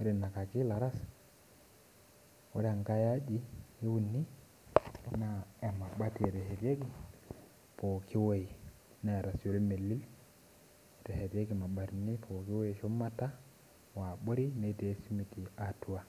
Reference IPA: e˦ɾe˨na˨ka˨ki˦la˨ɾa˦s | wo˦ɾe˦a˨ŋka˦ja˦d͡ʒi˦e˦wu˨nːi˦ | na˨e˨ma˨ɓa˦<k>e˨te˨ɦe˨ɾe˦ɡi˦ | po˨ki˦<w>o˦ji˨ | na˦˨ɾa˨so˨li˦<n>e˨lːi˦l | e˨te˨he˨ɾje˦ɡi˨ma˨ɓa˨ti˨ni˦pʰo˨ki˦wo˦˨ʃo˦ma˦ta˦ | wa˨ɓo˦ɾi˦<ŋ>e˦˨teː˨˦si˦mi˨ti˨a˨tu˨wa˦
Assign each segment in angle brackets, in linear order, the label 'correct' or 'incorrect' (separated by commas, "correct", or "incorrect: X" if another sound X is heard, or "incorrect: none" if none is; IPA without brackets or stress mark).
incorrect: t, correct, incorrect: m, incorrect: n